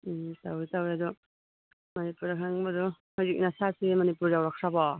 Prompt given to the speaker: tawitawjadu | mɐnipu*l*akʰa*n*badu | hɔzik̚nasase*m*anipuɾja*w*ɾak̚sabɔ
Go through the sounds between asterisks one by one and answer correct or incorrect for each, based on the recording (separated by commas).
incorrect, incorrect, correct, correct